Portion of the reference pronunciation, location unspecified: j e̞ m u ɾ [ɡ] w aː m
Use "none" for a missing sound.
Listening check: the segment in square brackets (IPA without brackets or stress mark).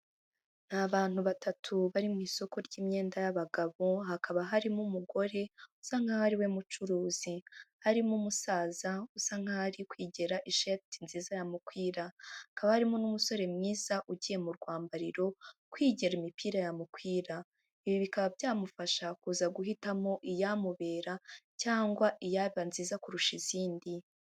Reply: ɡ